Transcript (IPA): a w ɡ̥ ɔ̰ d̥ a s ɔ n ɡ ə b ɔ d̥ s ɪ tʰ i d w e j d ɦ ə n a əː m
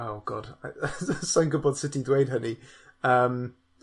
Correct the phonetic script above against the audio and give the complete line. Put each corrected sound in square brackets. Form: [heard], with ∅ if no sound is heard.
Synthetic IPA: a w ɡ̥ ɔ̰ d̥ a s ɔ n ɡ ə b ɔ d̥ s ɪ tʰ i d w e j d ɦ ə n [i] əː m